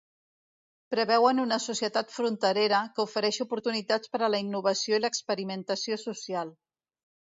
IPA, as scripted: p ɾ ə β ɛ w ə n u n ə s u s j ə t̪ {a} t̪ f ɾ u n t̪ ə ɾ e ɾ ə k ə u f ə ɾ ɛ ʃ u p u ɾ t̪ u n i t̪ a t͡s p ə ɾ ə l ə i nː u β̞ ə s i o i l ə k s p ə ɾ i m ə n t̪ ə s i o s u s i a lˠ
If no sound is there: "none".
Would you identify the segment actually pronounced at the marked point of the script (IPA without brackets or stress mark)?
a